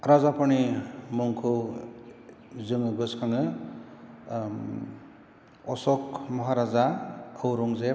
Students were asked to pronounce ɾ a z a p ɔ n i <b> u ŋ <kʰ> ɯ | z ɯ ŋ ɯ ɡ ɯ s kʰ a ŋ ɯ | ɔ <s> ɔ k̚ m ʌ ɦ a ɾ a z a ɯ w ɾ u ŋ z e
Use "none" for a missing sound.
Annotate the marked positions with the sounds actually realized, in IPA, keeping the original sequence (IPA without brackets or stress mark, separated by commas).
m, kʰ, s